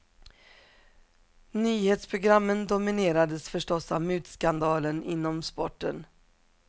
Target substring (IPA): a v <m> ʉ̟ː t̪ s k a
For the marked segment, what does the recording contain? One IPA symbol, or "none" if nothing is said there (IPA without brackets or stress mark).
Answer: m